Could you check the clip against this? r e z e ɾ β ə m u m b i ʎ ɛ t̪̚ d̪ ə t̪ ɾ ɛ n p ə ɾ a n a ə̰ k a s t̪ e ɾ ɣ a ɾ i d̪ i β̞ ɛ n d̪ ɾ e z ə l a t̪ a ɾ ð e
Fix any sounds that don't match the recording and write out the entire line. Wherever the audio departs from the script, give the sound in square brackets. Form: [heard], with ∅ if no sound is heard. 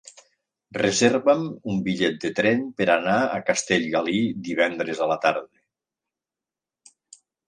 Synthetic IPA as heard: r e z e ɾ β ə m u m b i ʎ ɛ t̪̚ d̪ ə t̪ ɾ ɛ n p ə ɾ a n a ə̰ k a s t̪ e [ʎ] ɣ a [l] i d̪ i β̞ ɛ n d̪ ɾ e z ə l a t̪ a ɾ ð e